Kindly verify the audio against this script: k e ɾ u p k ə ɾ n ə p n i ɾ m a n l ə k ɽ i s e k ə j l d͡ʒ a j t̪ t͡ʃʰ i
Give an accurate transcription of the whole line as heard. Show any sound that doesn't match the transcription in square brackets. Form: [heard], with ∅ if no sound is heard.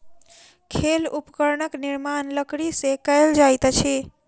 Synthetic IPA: [kʰ] e [l] u p k ə ɾ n ə [k] n i ɾ m a n l ə k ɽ i s e k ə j l d͡ʒ a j t̪ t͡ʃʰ i